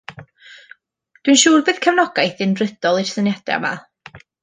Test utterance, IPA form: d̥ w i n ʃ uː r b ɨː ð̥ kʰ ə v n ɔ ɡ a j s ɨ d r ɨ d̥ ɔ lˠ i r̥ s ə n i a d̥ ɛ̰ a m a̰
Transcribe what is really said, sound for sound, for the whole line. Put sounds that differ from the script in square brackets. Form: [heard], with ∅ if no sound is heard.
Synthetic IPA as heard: d̥ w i n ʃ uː r b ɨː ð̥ kʰ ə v n ɔ ɡ a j [θ] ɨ [n] r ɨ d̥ ɔ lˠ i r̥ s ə n [j] a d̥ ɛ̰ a m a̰